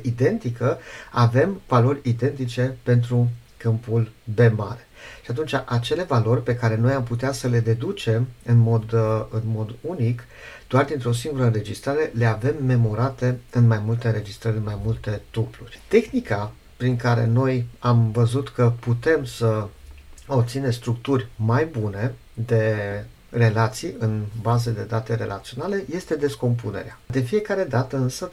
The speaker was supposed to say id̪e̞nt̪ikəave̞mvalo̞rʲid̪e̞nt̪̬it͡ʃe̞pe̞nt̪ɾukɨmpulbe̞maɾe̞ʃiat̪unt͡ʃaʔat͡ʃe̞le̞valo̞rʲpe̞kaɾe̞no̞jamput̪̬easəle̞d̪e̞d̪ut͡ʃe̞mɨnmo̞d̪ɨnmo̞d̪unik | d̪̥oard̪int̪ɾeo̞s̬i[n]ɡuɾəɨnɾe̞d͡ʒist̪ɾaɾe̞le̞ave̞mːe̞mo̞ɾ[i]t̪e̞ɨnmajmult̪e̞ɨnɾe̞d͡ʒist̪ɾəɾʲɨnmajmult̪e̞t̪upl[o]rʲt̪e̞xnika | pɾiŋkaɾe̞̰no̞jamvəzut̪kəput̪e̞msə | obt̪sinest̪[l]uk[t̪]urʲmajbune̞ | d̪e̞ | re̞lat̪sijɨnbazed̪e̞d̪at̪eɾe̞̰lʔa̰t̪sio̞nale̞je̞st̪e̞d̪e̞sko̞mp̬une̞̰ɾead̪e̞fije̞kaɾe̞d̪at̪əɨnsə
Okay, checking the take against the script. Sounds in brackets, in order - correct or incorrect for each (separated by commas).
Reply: incorrect, incorrect, incorrect, incorrect, correct